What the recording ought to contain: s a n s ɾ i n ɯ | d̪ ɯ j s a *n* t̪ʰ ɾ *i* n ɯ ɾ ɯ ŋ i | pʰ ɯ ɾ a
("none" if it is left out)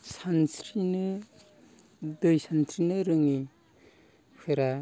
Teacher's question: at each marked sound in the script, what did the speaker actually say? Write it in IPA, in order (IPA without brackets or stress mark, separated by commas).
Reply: n, i